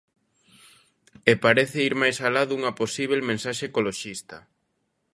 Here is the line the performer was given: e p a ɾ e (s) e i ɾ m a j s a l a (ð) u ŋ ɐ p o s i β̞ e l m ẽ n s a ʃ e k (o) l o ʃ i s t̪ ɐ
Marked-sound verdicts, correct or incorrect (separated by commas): incorrect, correct, correct